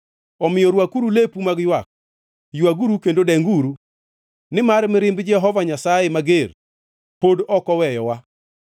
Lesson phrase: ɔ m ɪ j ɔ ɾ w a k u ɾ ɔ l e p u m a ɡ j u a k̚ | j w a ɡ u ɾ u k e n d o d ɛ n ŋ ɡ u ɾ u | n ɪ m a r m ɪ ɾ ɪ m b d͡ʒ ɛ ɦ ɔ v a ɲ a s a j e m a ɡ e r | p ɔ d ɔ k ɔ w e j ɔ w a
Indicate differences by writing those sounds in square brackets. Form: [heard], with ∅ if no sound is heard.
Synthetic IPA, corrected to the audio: ɔ m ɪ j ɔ ɾ w a k u ɾ [u] l e p u m a ɡ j [w] a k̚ | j w a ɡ u ɾ u k e n d o d ɛ [∅] ŋ ɡ u ɾ u | n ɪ m a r m ɪ ɾ ɪ m b d͡ʒ ɛ ɦ ɔ v a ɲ a s a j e m a ɡ e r | p [o] d ɔ k ɔ w [ɛ] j ɔ w a

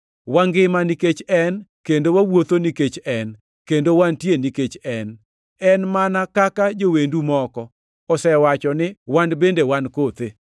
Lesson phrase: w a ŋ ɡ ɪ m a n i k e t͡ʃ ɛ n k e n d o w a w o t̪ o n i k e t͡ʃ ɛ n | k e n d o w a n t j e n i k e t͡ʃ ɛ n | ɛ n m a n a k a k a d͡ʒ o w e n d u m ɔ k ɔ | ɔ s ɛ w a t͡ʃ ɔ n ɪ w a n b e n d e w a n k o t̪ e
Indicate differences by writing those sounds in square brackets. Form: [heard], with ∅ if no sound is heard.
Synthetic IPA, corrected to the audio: w a ŋ ɡ ɪ m a n i k e t͡ʃ ɛ n k e n d o w a w o t̪ o n i k e t͡ʃ ɛ n | k e n d o w a n t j e n i k e t͡ʃ ɛ n | ɛ n m a n a k a k a d͡ʒ o w e n d u m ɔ k ɔ | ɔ s ɛ w a t͡ʃ ɔ n ɪ w a n b e n d e w a n k o t̪ e

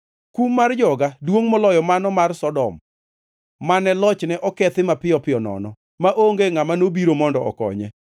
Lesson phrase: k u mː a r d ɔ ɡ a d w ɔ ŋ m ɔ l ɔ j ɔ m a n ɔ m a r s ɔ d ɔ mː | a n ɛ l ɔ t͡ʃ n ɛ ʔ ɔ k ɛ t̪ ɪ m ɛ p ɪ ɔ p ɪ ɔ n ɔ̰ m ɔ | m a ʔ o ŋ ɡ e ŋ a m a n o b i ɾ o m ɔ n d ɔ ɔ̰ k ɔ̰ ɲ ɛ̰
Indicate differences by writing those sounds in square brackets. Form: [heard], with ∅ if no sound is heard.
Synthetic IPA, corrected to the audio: k u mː a r [d͡ʒ] ɔ ɡ a d w [o] ŋ m ɔ l ɔ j ɔ m a n ɔ m a r s ɔ d ɔ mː | a n ɛ l ɔ t͡ʃ n ɛ ʔ ɔ k ɛ t̪ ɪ m [a] p ɪ ɔ p ɪ ɔ n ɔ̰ [n] ɔ | m a ʔ o ŋ ɡ e ŋ a m a n o b i ɾ o m ɔ n d ɔ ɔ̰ k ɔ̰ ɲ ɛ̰

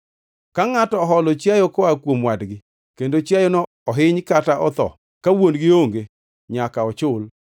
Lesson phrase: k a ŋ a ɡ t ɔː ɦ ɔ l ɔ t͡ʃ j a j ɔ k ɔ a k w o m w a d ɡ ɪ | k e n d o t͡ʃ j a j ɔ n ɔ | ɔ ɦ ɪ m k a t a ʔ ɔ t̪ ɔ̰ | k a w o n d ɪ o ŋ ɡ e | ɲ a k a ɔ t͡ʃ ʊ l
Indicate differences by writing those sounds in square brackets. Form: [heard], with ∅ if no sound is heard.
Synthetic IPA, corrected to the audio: k a ŋ a [∅] t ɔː ɦ ɔ l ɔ t͡ʃ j a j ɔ k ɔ a k w o m w a d ɡ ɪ | k e n d o t͡ʃ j a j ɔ n ɔ | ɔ ɦ ɪ [ɲ] k a t a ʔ ɔ t̪ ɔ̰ | k a w o n [ɡ] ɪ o ŋ ɡ e | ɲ a k a ɔ t͡ʃ ʊ l

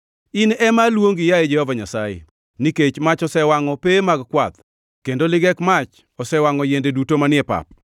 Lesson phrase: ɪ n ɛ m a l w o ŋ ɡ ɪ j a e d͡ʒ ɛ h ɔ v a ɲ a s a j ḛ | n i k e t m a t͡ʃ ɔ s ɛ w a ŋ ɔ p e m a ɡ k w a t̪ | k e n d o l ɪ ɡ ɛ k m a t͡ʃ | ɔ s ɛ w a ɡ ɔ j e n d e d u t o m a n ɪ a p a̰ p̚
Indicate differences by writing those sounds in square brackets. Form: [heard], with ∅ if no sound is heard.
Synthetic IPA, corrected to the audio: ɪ n ɛ m a l w o ŋ ɡ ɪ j a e d͡ʒ ɛ h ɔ v a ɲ a s a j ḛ | n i k e [t͡ʃ] m a t͡ʃ ɔ s ɛ w a ŋ ɔ p e m a ɡ k w a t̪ | k e n d o l ɪ ɡ ɛ k m a t͡ʃ | ɔ s ɛ w a [ŋ] ɔ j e n d e d u t o m a n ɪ [ɛ] p a̰ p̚

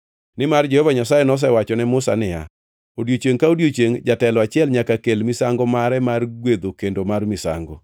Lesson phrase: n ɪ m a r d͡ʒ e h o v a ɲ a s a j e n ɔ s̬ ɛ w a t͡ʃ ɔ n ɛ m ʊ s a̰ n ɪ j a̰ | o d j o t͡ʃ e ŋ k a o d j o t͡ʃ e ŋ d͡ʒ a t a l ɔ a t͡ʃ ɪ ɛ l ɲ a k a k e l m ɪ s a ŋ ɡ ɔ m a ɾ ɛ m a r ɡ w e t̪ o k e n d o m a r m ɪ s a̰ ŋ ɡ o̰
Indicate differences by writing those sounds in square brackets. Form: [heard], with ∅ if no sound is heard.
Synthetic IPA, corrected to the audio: n ɪ m a r d͡ʒ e h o v a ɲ a s a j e n ɔ s̬ ɛ w a t͡ʃ ɔ n ɛ m ʊ s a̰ n ɪ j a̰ | o d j o t͡ʃ e ŋ k a o d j o t͡ʃ e ŋ d͡ʒ a t [ɛ] l ɔ a t͡ʃ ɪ ɛ l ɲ a k a k e l m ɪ s a ŋ ɡ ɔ m a ɾ ɛ m a r ɡ w e [d̪] o k e n d o m a r m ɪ s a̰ ŋ ɡ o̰

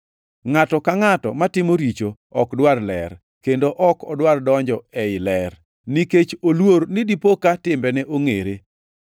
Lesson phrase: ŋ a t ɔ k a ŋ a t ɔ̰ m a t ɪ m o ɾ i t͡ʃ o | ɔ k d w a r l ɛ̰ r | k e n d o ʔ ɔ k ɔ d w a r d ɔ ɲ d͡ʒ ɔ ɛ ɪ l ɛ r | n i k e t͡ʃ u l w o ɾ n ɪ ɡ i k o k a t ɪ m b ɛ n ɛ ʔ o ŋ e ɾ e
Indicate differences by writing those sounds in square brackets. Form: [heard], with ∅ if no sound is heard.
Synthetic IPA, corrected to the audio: ŋ a t ɔ k a ŋ a t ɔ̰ m a t ɪ m o ɾ i t͡ʃ o | ɔ k d w a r l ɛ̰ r | k e n d o ʔ ɔ k ɔ d w a r d ɔ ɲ d͡ʒ ɔ ɛ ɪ l ɛ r | n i k e t͡ʃ [o] l w o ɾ n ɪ [d] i [p] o k a t ɪ m b ɛ n ɛ ʔ o ŋ e ɾ e

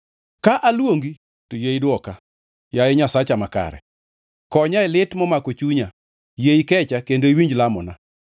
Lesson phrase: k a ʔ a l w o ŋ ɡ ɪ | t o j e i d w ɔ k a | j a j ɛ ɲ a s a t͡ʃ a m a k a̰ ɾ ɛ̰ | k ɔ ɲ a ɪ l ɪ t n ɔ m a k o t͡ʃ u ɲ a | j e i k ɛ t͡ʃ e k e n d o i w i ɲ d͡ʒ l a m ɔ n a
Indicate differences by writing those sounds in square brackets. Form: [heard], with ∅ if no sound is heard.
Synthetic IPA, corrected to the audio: k a ʔ a l w o ŋ ɡ [i] | t o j e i d w ɔ k a | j a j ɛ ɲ a s a t͡ʃ a m a k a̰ ɾ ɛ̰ | k ɔ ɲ a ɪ l ɪ t [m] ɔ m a k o t͡ʃ u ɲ a | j e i k ɛ t͡ʃ [a] k e n d o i w i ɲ d͡ʒ l a m ɔ n a

